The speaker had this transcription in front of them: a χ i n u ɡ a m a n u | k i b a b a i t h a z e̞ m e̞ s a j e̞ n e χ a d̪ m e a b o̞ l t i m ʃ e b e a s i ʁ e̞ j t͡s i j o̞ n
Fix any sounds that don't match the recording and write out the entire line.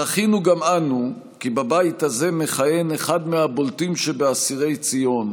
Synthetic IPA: a χ i n u ɡ a m a n u | k i b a b a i t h a z e̞ m e̞ χ a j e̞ n e χ a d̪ m e a b o̞ l t i m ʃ e b e a s i ʁ e̞ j t͡s i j o̞ n